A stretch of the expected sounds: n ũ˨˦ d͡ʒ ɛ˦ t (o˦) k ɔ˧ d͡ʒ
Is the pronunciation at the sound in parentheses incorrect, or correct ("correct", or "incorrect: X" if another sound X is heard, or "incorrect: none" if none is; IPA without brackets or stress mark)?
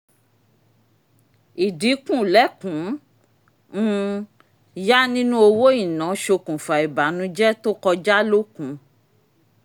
correct